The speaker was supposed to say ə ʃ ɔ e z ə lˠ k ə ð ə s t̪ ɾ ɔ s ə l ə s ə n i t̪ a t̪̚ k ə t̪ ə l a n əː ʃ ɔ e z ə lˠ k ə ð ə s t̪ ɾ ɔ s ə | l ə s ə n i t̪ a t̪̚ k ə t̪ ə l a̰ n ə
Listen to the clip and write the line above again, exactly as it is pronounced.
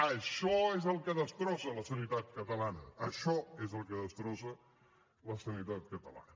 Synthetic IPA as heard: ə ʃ ɔ e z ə lˠ k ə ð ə s t̪ ɾ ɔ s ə l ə s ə n i t̪ a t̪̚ k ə t̪ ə l a n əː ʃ ɔ e z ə lˠ k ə ð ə s t̪ ɾ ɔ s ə | l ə s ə n i t̪ a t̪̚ k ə t̪ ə l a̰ n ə